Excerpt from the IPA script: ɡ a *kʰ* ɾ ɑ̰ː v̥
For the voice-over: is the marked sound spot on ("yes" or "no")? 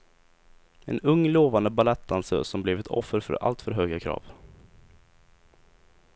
yes